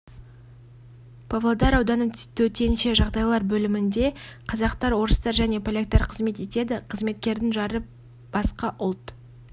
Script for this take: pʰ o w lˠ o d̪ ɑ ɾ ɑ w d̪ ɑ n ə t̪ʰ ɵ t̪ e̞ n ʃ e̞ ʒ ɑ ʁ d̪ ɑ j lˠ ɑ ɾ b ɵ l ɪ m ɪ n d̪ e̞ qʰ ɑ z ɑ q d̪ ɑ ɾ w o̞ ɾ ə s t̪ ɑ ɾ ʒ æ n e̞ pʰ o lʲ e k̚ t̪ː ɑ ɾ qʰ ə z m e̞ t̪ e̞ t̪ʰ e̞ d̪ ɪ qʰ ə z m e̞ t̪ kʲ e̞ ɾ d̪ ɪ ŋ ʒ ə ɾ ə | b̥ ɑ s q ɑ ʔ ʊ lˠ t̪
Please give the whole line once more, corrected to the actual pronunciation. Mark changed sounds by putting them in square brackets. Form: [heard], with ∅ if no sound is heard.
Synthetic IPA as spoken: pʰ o [v] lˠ o d̪ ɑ ɾ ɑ w d̪ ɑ n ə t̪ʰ ɵ t̪ e̞ n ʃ e̞ ʒ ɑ ʁ d̪ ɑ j lˠ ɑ ɾ b ɵ l ɪ m ɪ n d̪ e̞ qʰ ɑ z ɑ q [t̪] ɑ ɾ w o̞ ɾ ə s t̪ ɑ ɾ ʒ æ n e̞ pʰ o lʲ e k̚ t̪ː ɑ ɾ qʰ ə z m e̞ t̪ e̞ [t̪] e̞ d̪ ɪ qʰ ə z m e̞ t̪ kʲ e̞ ɾ d̪ ɪ ŋ ʒ [ɑ] ɾ ə | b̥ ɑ s q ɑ ʔ ʊ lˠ t̪